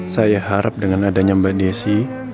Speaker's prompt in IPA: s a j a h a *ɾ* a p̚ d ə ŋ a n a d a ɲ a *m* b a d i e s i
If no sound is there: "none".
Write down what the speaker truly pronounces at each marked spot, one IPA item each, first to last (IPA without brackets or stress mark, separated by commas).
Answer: ɾ, m